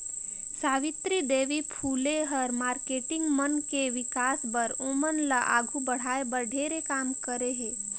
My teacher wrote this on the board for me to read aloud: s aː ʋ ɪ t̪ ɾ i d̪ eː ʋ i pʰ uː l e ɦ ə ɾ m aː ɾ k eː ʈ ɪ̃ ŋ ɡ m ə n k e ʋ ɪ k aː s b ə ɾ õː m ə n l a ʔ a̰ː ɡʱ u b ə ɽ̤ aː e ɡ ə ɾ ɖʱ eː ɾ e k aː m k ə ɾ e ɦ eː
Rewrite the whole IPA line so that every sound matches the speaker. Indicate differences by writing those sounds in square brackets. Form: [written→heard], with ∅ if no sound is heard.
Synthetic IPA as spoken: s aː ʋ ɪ t̪ ɾ i d̪ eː ʋ i pʰ uː l e ɦ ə ɾ m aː ɾ k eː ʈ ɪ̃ ŋ ɡ m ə n k e ʋ ɪ k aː s b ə ɾ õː m ə n l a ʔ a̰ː ɡʱ u b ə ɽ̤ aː e [ɡ→b] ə ɾ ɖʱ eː ɾ e k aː m k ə ɾ e ɦ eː